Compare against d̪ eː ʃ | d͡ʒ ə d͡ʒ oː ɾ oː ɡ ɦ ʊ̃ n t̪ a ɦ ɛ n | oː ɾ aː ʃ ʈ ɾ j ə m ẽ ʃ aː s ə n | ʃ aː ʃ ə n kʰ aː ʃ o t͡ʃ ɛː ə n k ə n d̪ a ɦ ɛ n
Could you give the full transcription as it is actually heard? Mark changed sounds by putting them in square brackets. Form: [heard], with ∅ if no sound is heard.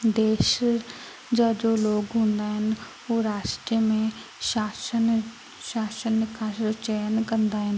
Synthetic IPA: d̪ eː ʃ | d͡ʒ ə d͡ʒ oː [l] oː ɡ ɦ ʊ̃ n [d̪] a ɦ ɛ n | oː ɾ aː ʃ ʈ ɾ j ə m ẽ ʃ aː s ə n | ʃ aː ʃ ə n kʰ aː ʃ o t͡ʃ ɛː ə n k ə n d̪ a ɦ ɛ n

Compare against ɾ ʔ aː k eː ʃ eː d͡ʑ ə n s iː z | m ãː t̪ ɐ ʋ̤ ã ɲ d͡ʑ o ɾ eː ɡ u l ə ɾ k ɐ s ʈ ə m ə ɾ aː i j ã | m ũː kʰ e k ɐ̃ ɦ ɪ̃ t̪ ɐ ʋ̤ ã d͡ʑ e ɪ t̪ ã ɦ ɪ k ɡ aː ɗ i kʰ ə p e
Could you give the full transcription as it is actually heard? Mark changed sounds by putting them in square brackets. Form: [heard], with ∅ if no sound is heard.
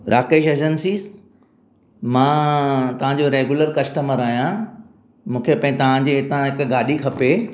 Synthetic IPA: ɾ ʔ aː k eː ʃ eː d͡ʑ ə n s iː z | m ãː t̪ ɐ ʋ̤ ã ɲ d͡ʑ o ɾ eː ɡ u l ə ɾ k ɐ s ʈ ə m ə ɾ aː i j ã | m ũː kʰ e [p] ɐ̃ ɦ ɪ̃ t̪ ɐ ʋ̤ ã d͡ʑ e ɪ t̪ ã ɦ ɪ k ɡ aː ɗ i kʰ [ɐ] p e

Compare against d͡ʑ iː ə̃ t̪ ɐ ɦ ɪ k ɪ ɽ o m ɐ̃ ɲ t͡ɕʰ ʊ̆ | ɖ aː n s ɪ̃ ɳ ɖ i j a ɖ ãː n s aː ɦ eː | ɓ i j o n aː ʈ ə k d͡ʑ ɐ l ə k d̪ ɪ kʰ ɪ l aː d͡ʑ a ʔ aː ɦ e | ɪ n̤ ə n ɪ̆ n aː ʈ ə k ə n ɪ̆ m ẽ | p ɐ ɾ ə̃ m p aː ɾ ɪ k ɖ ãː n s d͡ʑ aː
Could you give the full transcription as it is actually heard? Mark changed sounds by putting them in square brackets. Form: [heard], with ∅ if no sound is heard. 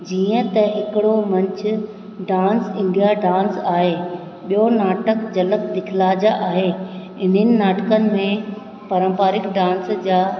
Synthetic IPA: d͡ʑ iː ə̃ t̪ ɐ ɦ ɪ k ɪ ɽ o m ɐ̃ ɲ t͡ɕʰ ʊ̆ | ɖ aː n s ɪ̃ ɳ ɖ i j a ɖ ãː n s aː ɦ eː | ɓ i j o n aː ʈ ə k d͡ʑ ɐ l ə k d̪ ɪ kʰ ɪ l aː d͡ʑ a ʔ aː ɦ e | ɪ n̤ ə n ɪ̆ n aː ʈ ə k ə n ɪ̆ m ẽ | p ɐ ɾ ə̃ m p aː ɾ ɪ k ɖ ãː n s d͡ʑ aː

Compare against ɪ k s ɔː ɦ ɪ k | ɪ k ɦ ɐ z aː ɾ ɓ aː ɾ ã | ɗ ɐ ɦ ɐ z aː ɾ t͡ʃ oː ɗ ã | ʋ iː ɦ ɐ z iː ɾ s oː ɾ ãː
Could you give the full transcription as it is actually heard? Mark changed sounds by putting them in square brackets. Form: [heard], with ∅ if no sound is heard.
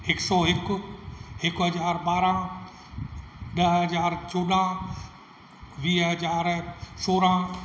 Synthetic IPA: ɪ k s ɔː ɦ ɪ k | ɪ k ɦ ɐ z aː ɾ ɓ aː ɾ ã | ɗ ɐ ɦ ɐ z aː ɾ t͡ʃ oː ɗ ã | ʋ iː ɦ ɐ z [aː] ɾ s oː ɾ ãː

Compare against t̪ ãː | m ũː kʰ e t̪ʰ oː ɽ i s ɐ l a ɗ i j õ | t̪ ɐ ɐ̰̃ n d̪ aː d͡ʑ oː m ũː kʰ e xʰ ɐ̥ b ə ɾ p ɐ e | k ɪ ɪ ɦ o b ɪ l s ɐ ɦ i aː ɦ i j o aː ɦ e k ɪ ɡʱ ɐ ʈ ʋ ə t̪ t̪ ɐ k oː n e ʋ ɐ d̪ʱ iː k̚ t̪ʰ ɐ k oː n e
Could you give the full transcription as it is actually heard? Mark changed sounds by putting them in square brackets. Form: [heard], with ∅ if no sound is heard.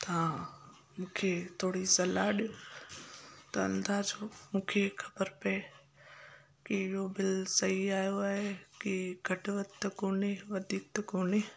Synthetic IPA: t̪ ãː | m ũː kʰ e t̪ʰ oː ɽ i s ɐ l a ɗ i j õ | t̪ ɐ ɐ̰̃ n d̪ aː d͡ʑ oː m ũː kʰ e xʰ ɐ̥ b ə ɾ p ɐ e | k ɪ ɪ ɦ o b ɪ l s ɐ ɦ i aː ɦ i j o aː ɦ e k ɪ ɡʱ ɐ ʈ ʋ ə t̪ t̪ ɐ k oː n e ʋ ɐ d̪ʱ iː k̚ [t̪] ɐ k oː n e

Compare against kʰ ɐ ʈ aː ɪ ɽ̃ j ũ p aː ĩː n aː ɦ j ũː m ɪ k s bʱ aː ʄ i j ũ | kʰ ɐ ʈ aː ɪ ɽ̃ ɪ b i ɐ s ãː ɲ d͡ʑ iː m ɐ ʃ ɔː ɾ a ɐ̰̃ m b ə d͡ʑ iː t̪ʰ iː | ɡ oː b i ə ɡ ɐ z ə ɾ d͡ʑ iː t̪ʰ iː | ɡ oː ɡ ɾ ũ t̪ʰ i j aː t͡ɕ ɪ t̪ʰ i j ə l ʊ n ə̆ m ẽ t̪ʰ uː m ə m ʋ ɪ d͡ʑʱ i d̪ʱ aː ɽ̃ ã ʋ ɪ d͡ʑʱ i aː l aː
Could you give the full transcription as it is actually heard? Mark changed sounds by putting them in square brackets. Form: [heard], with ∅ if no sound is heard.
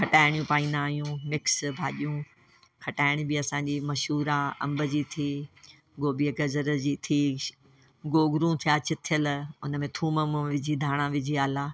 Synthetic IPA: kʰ ɐ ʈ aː ɪ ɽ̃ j ũ p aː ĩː n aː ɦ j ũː m ɪ k s bʱ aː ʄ i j ũ | kʰ ɐ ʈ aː ɪ ɽ̃ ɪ b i ɐ s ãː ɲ d͡ʑ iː m ɐ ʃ [uː] ɾ a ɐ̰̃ m b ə d͡ʑ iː t̪ʰ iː | ɡ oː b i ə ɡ ɐ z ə ɾ d͡ʑ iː t̪ʰ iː | ɡ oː ɡ ɾ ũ t̪ʰ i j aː t͡ɕ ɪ t̪ʰ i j ə l ʊ n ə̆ m ẽ t̪ʰ uː m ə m ʋ ɪ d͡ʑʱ i d̪ʱ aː ɽ̃ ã ʋ ɪ d͡ʑʱ i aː l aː

